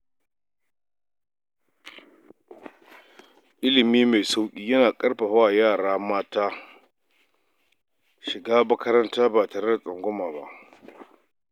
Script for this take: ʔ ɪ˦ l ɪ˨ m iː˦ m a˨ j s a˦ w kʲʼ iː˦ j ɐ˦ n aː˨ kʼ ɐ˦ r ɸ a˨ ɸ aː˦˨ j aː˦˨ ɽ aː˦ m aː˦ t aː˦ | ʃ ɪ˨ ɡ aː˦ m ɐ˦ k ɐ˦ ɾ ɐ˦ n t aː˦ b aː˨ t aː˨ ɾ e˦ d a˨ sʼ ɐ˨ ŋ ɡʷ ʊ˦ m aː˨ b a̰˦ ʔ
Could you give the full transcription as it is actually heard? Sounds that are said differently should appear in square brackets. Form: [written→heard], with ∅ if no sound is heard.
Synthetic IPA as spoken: ʔ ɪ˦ l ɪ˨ m iː˦ m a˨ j s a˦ w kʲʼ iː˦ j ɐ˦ n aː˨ kʼ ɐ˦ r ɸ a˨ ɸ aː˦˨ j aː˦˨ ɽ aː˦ m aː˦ t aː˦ | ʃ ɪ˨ ɡ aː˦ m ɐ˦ k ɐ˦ ɾ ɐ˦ n t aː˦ b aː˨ t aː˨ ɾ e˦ d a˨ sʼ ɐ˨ ŋ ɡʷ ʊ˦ m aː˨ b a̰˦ ʔ